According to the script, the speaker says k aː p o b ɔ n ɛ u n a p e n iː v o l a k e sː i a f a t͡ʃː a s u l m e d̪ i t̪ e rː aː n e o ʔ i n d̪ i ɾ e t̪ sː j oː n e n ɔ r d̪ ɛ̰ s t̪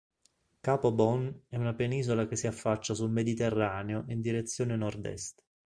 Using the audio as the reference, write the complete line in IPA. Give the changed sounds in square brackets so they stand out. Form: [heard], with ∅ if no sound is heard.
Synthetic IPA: k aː p o b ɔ n ɛ u n a p e n iː [z] o l a k e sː i a [fː] a t͡ʃː a s u l m e d̪ i t̪ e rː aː n e o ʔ i n d̪ i ɾ e t̪ sː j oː n e n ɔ r d̪ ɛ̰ s t̪